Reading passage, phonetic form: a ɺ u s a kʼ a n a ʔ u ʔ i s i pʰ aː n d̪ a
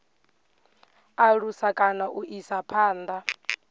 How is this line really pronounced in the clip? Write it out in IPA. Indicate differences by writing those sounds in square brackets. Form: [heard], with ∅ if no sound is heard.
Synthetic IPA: a ɺ u s a kʼ a n a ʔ u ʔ i s [a] pʰ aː n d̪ a